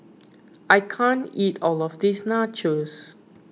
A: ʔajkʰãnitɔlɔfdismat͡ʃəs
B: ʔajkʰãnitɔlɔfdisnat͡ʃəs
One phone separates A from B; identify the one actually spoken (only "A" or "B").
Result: B